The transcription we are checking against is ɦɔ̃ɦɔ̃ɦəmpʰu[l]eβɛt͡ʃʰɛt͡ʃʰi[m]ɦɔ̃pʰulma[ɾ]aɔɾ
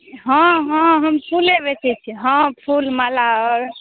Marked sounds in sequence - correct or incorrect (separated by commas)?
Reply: correct, incorrect, incorrect